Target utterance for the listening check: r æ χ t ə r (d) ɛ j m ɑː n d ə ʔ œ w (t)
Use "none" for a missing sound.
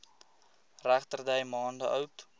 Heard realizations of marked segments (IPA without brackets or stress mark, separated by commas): d, t